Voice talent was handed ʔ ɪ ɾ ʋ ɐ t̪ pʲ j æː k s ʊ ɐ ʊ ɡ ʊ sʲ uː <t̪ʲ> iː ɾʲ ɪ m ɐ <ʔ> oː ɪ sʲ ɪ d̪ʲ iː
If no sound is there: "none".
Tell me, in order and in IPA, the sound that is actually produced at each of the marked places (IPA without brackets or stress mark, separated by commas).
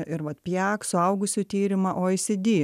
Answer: t̪ʲ, ʔ